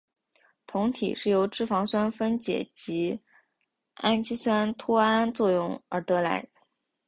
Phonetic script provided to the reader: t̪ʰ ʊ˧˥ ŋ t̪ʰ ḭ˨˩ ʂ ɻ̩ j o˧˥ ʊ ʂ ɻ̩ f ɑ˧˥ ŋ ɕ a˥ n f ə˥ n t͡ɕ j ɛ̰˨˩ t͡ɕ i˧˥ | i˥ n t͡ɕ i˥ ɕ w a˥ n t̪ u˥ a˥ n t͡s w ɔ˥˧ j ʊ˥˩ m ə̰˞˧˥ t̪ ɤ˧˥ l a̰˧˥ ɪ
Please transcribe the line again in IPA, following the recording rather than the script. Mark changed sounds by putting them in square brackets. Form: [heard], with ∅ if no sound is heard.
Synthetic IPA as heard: t̪ʰ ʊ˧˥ ŋ t̪ʰ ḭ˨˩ ʂ ɻ̩ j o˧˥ ʊ [ʈ͡ʂ] ɻ̩ f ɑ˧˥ ŋ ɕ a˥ n f ə˥ n t͡ɕ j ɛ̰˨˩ t͡ɕ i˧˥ | [a˥] n t͡ɕ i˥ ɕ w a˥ n [t̪ʰ] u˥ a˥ n t͡s w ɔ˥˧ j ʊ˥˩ [ŋ] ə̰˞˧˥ t̪ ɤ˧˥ l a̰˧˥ ɪ